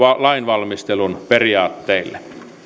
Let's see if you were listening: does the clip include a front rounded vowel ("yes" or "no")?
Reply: no